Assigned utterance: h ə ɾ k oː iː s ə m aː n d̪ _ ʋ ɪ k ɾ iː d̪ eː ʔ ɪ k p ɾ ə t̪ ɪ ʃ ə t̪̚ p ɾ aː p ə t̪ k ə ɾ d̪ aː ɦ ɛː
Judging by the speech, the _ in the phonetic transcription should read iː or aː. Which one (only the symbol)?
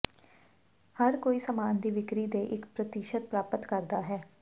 iː